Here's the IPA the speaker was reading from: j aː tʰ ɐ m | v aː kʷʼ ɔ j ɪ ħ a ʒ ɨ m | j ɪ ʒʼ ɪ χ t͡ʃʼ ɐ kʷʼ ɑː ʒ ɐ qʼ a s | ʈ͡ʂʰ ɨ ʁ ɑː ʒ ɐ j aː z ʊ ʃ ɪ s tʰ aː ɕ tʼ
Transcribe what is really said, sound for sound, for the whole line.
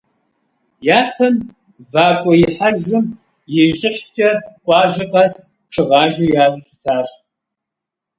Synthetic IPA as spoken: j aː tʰ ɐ m | v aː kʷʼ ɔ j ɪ ħ a ʒ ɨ m | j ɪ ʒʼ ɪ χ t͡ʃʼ ɐ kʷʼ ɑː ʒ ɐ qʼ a s | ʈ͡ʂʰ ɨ ʁ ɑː ʒ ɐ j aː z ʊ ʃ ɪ tʰ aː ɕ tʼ